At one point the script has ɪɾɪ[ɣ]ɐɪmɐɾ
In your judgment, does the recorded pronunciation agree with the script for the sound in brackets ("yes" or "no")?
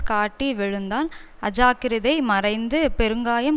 no